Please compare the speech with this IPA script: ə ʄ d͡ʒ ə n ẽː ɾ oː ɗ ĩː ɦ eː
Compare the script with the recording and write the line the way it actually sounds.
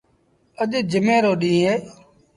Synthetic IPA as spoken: ə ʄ d͡ʒ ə m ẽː ɾ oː ɗ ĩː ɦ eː